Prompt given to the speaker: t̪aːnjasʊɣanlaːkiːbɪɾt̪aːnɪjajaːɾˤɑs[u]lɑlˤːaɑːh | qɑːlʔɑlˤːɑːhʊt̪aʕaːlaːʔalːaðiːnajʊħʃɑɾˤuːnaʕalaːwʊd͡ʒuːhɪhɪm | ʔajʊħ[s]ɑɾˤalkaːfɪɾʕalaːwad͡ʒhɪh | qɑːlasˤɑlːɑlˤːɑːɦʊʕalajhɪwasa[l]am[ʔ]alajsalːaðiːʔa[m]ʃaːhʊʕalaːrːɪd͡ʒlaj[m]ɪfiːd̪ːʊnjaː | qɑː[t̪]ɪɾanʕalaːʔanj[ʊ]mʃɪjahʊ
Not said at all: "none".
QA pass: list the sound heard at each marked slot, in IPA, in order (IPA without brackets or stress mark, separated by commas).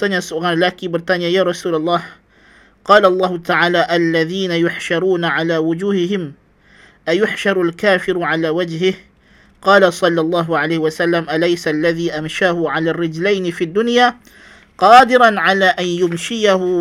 uː, ʃ, lː, ʔ, m, n, d̪, ʊ